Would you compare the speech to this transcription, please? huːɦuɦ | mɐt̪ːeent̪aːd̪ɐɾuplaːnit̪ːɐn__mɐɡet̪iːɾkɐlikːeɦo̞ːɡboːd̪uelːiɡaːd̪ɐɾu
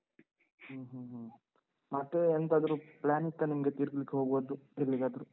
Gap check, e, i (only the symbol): i